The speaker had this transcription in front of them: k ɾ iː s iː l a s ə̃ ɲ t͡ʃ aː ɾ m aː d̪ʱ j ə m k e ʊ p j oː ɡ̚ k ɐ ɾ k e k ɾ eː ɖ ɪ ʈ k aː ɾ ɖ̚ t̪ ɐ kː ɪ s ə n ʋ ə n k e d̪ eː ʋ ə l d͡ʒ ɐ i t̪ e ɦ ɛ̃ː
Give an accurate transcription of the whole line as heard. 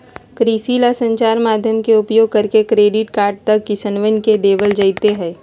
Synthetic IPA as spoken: k ɾ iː s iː l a s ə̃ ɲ t͡ʃ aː ɾ m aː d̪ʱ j ə m k e ʊ p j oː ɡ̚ k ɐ ɾ k e k ɾ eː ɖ ɪ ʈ k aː ɾ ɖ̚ t̪ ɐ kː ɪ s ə n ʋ ə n k e d̪ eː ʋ ə l d͡ʒ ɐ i t̪ e ɦ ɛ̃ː